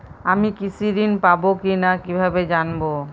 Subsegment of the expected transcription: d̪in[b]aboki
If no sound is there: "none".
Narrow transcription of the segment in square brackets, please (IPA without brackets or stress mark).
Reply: p